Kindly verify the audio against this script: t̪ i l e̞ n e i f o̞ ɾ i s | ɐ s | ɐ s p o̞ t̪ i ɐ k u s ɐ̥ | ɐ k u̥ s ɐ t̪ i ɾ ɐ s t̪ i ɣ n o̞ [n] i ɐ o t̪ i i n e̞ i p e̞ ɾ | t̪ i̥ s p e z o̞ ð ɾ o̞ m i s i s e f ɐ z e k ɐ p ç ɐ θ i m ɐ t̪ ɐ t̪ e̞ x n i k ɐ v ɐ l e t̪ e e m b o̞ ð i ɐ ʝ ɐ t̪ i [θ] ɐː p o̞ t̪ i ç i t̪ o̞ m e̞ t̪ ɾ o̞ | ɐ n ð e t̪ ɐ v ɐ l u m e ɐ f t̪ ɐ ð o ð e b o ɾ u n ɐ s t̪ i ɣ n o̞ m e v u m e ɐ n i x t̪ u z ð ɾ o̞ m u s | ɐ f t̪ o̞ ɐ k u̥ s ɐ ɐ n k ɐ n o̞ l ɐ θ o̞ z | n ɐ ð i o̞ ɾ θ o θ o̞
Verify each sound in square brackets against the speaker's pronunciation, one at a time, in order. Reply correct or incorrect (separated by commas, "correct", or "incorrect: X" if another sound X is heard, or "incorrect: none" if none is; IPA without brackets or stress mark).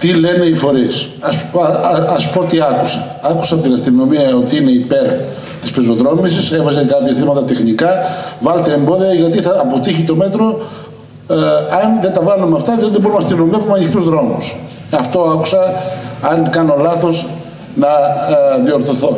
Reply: incorrect: m, correct